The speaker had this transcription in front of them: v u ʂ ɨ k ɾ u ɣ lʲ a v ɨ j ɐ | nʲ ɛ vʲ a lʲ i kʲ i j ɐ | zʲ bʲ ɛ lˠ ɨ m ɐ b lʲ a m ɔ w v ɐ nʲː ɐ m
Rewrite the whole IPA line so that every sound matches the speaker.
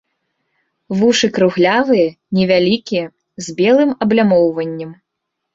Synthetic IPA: v u ʂ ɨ k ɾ u ɣ lʲ a v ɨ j ɐ | nʲ ɛ vʲ a lʲ i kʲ i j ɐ | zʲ bʲ ɛ lˠ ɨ m ɐ b lʲ a m ɔ w v ɐ nʲː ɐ m